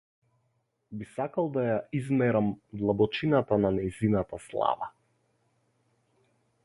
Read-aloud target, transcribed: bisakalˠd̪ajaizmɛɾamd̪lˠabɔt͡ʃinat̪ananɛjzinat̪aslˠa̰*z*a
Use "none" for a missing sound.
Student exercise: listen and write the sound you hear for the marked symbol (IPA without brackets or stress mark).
v